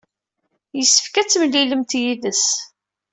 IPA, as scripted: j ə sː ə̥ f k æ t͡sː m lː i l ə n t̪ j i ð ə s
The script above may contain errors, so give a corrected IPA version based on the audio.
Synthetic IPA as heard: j ə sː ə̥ f k æ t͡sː m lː i l ə m t̪ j i ð ə s